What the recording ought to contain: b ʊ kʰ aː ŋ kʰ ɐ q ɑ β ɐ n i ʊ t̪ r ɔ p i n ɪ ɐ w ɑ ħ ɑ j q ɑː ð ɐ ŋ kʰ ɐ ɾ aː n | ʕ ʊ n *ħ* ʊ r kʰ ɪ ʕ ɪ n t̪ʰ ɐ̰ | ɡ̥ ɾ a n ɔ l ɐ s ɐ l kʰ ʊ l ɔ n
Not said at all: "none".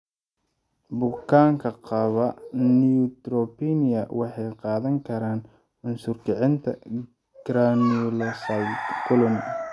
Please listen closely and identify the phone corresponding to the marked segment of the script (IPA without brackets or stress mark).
s